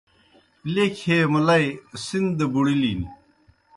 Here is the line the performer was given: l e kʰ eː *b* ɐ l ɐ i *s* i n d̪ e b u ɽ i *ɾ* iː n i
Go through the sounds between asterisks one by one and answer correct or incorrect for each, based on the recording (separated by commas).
incorrect, correct, incorrect